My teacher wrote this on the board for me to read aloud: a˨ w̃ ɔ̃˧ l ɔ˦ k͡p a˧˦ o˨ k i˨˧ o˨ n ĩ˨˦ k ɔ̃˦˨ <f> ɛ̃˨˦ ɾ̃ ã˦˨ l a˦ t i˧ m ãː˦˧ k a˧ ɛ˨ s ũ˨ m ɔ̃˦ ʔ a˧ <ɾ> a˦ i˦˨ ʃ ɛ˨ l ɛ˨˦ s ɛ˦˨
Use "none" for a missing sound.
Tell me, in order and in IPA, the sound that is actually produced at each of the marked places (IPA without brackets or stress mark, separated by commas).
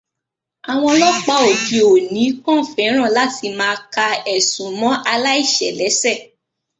f, l